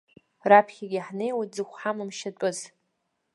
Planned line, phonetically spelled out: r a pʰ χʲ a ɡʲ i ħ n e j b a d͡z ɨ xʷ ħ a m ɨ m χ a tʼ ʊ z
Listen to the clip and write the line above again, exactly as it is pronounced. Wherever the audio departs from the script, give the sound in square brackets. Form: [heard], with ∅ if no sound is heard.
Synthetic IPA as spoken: r a pʰ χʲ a ɡʲ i ħ n e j [w] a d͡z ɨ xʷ ħ a m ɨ m [ʃ] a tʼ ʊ z